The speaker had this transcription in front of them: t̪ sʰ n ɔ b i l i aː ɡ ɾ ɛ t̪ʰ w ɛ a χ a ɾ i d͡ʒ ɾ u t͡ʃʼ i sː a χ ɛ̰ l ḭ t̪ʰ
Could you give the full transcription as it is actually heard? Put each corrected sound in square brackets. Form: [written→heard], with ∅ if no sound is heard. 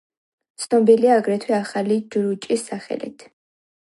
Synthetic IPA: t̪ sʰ n ɔ b i l i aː ɡ ɾ ɛ t̪ʰ w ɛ a χ a [ɾ→l] i d͡ʒ ɾ u t͡ʃʼ i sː a χ ɛ̰ l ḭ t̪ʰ